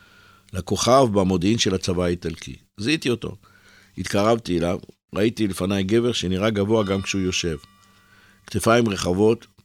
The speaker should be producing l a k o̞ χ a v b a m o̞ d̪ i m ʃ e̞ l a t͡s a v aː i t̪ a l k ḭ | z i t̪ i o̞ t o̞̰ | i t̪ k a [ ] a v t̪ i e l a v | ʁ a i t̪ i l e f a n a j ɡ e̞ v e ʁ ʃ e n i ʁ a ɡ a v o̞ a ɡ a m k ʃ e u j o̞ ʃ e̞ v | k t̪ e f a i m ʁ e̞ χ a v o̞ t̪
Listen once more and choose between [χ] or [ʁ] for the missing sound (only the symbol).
ʁ